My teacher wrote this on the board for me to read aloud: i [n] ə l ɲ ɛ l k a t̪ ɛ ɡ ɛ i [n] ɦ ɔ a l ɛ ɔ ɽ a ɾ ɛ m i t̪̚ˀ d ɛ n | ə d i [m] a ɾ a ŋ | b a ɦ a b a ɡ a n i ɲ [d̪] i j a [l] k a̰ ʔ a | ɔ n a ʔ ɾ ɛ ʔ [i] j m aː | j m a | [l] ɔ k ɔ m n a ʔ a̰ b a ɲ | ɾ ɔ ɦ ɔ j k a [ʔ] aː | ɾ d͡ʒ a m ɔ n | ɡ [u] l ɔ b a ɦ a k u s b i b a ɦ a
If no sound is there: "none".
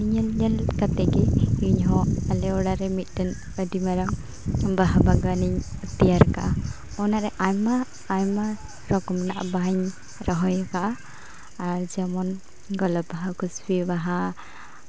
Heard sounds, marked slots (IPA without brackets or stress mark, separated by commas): ɲ, ɲ, m, t̪, ɾ, a, ɾ, ʔ, ɔ